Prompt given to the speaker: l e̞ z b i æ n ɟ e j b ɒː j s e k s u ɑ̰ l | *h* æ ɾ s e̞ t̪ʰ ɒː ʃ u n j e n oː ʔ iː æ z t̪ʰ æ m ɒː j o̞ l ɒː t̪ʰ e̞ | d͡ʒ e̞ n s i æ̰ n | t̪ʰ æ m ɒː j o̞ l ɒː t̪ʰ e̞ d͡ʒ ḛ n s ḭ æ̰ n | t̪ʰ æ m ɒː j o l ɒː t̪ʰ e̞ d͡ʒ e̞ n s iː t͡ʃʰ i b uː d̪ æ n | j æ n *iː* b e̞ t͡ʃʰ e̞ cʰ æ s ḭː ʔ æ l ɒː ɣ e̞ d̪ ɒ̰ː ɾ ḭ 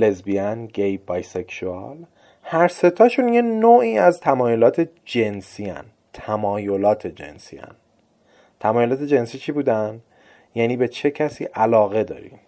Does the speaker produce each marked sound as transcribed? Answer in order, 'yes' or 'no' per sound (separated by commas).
yes, yes